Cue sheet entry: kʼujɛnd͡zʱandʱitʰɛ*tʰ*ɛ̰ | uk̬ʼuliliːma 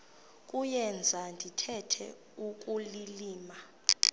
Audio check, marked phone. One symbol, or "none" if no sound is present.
tʰ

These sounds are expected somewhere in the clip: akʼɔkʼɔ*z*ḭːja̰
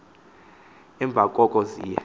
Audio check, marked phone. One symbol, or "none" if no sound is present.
z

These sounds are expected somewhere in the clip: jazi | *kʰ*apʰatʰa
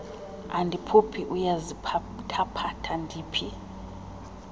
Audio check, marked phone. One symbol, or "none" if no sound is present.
tʰ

